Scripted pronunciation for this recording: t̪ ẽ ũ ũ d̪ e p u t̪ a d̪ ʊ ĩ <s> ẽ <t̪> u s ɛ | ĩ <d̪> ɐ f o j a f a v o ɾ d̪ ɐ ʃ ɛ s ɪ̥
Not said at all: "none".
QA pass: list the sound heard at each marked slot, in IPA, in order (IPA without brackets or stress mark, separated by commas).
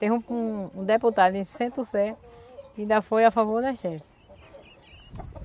s, t̪, d̪